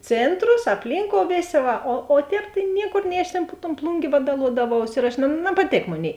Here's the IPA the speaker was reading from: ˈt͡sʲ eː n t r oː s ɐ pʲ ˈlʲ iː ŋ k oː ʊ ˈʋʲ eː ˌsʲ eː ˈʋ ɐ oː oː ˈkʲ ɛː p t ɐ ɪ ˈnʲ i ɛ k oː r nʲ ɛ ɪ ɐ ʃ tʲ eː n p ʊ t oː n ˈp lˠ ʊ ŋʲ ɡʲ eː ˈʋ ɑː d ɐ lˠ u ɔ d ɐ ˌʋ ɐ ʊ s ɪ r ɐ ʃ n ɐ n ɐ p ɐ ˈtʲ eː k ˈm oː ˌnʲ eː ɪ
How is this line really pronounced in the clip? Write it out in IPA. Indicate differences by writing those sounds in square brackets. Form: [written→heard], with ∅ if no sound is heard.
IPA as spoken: ˈt͡sʲ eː n t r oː s ɐ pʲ ˈlʲ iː ŋ k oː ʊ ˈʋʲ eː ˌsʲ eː ˈʋ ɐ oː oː [ˈkʲ→ˈtʲ] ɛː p t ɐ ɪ ˈnʲ i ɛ k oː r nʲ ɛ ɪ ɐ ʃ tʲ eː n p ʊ t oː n ˈp lˠ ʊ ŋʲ ɡʲ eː ˈʋ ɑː d ɐ lˠ u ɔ d ɐ ˌʋ ɐ ʊ s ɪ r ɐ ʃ n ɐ n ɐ p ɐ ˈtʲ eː k ˈm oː ˌnʲ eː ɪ